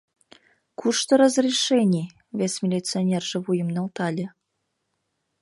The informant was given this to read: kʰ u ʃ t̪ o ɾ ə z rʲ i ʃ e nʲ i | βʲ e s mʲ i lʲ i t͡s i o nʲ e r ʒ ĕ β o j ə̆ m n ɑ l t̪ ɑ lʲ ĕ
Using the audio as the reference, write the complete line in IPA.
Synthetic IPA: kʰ u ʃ t̪ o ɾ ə z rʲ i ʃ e nʲ i | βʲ e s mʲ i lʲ i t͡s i o nʲ e r ʒ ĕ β u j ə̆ m n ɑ l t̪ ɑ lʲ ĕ

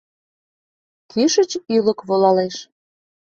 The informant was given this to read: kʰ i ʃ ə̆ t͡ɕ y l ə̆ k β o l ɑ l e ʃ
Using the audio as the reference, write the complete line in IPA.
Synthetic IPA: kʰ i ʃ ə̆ t͡ɕ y l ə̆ k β o l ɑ l e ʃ

